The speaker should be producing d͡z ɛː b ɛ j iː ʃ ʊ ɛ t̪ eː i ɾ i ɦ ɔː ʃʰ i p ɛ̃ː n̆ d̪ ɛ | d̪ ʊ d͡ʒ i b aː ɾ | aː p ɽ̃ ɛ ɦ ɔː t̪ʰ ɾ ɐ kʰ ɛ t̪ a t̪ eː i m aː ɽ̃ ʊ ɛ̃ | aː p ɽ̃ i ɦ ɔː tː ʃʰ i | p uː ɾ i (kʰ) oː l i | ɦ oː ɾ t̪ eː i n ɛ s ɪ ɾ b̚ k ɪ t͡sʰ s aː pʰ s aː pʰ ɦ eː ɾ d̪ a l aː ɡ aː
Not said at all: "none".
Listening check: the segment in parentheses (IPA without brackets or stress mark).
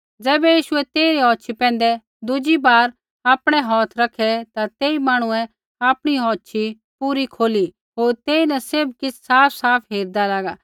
kʰ